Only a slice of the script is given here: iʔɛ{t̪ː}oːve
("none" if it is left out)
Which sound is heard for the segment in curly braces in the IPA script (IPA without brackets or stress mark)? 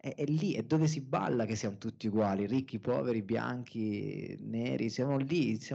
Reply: d̪ː